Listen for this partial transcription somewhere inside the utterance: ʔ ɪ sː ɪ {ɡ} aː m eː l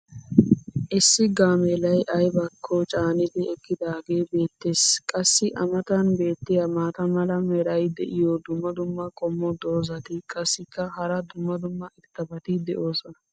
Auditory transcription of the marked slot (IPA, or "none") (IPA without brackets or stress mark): ɡ